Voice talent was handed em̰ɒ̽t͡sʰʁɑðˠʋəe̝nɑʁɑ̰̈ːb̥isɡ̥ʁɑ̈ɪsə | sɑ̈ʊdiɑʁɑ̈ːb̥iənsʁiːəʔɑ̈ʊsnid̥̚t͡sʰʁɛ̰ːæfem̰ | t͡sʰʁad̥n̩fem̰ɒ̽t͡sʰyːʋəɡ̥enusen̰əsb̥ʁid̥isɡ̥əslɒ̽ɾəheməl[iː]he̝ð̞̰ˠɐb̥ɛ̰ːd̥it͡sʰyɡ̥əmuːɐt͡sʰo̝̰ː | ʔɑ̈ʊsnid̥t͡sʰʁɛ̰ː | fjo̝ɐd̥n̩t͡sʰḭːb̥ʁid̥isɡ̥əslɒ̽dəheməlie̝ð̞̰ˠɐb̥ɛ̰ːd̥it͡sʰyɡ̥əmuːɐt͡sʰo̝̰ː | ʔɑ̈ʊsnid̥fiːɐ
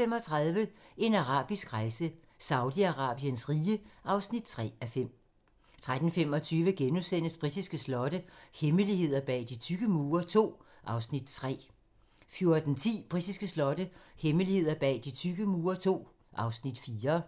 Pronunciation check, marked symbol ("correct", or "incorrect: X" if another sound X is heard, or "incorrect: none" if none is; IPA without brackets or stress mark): incorrect: i